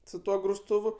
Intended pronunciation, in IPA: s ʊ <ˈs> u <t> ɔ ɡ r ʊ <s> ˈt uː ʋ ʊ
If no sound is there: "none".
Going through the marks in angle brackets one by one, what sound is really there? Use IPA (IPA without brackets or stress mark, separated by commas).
t, none, s